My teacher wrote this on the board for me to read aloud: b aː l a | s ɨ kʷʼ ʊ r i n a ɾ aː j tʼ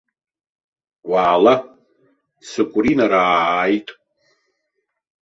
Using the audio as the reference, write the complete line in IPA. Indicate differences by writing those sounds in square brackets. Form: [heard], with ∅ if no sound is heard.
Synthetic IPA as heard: [w] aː l a | s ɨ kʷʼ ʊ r i n a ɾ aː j tʼ

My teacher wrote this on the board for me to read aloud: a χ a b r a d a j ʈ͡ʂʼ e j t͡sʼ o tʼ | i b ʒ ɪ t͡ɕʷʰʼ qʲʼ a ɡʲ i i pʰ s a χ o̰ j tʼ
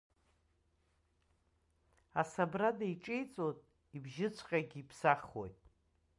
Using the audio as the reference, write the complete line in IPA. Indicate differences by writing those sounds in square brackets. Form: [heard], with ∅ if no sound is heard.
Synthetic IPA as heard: a [s] a b r a d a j ʈ͡ʂʼ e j t͡sʼ o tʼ | i b ʒ ɪ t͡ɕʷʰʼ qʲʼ a ɡʲ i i pʰ s a χ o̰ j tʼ

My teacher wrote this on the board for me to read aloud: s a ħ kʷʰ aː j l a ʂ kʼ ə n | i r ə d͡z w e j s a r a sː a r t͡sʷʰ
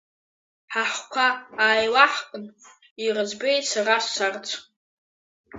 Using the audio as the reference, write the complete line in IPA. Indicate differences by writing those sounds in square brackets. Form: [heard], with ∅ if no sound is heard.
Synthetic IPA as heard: [ħ] a ħ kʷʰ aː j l a [ħ] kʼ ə n | i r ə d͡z [b] e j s a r a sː a r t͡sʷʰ

